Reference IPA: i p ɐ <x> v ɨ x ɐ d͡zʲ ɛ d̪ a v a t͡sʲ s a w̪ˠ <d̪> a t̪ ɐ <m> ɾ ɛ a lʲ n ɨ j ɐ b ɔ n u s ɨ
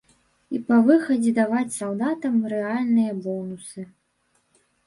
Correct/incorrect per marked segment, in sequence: incorrect: none, correct, correct

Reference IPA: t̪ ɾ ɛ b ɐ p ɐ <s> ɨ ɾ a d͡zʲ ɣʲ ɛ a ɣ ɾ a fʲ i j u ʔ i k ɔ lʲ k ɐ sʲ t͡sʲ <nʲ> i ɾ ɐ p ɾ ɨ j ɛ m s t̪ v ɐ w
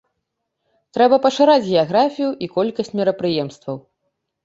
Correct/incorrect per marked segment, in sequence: incorrect: ʂ, incorrect: mʲ

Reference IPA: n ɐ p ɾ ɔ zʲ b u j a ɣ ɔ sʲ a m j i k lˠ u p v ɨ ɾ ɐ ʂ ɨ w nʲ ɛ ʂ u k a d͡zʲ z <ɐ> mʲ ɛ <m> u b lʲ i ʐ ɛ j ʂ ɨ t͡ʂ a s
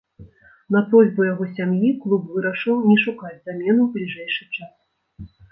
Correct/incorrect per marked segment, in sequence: incorrect: a, incorrect: n

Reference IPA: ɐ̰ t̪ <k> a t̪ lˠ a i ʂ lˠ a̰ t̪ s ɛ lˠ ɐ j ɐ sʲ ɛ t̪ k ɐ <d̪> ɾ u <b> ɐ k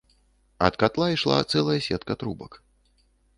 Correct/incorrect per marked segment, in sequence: correct, incorrect: t̪, correct

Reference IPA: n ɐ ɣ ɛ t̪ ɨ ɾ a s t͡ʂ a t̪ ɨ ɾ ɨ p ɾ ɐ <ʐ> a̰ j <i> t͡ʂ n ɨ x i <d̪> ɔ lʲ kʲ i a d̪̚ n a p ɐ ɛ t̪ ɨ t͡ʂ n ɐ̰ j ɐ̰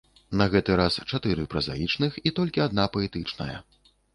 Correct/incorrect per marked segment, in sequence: incorrect: z, correct, incorrect: t̪

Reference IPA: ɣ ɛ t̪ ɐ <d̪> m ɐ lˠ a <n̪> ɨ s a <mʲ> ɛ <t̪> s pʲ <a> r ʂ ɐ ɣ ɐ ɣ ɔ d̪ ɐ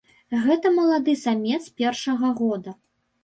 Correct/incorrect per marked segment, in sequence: incorrect: none, incorrect: d̪, correct, correct, incorrect: ɛ

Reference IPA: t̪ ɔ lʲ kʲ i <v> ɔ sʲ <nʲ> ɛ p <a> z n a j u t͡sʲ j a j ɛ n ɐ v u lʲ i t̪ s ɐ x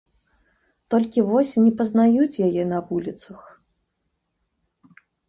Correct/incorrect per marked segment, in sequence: correct, correct, incorrect: ɐ

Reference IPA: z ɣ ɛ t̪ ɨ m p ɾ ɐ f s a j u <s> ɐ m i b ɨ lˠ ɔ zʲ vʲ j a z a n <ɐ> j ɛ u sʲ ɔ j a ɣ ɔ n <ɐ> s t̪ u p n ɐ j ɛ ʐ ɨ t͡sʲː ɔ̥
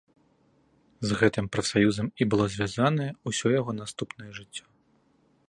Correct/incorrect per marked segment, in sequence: incorrect: z, correct, incorrect: a

